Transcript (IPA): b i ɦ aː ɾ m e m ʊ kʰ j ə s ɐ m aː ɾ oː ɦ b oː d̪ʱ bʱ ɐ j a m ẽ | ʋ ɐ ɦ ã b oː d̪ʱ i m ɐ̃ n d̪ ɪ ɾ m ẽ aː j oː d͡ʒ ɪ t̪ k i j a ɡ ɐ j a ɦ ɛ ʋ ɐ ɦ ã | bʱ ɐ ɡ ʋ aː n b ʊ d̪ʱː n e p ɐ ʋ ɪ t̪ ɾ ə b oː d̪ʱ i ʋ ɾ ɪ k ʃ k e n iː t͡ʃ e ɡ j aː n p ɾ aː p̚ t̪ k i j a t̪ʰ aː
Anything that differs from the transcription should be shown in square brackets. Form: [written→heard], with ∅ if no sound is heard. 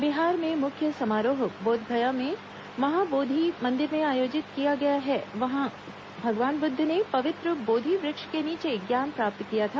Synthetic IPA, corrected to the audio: b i ɦ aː ɾ m [e→ẽ] m ʊ kʰ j ə s ɐ m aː ɾ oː ɦ b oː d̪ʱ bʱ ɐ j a m ẽ | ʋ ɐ ɦ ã b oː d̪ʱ i m ɐ̃ n d̪ ɪ ɾ m ẽ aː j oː d͡ʒ ɪ t̪ k i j a ɡ ɐ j a ɦ ɛ ʋ ɐ ɦ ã | bʱ ɐ ɡ ʋ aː n b ʊ d̪ʱː n e p ɐ ʋ ɪ t̪ ɾ ə b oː d̪ʱ i ʋ ɾ ɪ k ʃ k e n iː t͡ʃ e ɡ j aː n p ɾ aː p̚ t̪ k i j a t̪ʰ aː